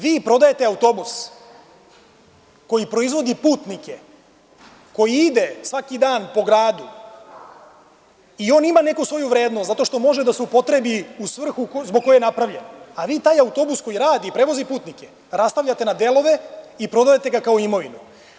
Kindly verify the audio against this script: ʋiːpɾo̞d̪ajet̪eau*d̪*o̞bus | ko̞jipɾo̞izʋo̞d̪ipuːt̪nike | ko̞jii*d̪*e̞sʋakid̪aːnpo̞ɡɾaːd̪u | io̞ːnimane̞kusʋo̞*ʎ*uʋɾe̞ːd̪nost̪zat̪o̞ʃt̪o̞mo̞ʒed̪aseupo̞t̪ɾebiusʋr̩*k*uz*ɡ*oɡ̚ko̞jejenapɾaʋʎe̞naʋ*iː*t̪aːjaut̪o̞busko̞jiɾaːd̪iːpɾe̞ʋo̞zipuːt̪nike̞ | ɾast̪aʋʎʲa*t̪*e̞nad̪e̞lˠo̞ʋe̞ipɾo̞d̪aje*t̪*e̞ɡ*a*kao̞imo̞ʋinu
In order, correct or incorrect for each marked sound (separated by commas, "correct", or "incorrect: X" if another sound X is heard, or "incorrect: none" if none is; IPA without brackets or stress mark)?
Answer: incorrect: t̪, correct, incorrect: j, incorrect: x, incorrect: b, correct, correct, correct, correct